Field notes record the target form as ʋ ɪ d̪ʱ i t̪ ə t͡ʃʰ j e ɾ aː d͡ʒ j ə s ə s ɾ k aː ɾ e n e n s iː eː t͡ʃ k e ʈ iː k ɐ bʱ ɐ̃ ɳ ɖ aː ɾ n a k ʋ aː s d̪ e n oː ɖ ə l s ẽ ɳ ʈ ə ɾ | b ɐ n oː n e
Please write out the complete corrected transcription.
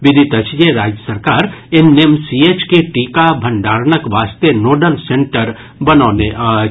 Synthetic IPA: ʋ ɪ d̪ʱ i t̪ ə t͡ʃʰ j e ɾ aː d͡ʒ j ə s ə ɾ k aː ɾ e n e m s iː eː t͡ʃ k e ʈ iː k a bʱ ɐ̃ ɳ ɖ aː ɾ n ə k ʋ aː s t̪ e n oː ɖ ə l s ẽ ɳ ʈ ə ɾ | b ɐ n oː n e

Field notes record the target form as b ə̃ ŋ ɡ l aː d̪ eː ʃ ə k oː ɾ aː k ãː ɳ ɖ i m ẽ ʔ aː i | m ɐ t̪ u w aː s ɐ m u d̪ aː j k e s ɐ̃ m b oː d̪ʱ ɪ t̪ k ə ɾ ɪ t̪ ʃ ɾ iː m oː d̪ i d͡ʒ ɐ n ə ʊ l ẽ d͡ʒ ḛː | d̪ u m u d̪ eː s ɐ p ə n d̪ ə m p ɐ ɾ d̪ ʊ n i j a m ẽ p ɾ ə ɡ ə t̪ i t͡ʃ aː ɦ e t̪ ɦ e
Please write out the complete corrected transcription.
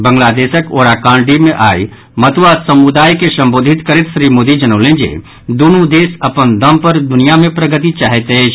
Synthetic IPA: b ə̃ ŋ ɡ l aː d̪ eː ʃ ə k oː ɾ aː k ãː ɳ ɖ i m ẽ ʔ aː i | m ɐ t̪ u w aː s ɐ m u d̪ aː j k e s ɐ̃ m b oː d̪ʱ ɪ t̪ k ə ɾ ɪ t̪ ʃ ɾ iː m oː d̪ i d͡ʒ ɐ n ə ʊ l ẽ d͡ʒ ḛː | d̪ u n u d̪ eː s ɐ p ə n d̪ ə m p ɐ ɾ d̪ ʊ n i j a m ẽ p ɾ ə ɡ ə t̪ i t͡ʃ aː ɦ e t̪ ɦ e

